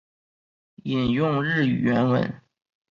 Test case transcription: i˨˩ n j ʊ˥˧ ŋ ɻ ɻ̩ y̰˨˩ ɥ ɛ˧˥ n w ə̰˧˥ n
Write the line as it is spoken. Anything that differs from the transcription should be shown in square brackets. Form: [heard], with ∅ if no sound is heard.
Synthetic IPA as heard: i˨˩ n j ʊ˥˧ ŋ ɻ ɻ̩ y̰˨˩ ɥ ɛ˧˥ n w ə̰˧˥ n